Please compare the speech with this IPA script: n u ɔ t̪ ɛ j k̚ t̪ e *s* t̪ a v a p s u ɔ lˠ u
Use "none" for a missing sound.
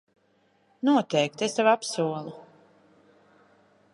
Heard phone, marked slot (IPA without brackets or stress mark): s